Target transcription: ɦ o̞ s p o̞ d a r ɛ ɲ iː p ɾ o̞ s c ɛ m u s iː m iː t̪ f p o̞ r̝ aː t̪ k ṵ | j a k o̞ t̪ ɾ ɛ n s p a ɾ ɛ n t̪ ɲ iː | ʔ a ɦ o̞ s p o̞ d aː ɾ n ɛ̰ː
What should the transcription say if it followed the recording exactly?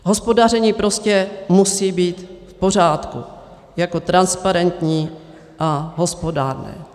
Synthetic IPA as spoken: ɦ o̞ s p o̞ d a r ɛ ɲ iː p ɾ o̞ s c ɛ m u s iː b iː t̪ f p o̞ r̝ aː t̪ k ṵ | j a k o̞ t̪ ɾ a n s p a ɾ ɛ n t̪ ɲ iː | ʔ a ɦ o̞ s p o̞ d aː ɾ n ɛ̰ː